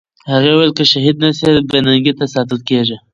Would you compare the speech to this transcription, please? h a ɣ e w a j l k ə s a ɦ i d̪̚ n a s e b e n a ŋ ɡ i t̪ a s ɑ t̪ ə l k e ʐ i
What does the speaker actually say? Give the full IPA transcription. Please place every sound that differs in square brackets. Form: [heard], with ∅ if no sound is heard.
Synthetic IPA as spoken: h a ɣ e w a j l k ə [ʃ] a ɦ i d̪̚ n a s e b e n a ŋ ɡ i t̪ a s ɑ t̪ ə l k e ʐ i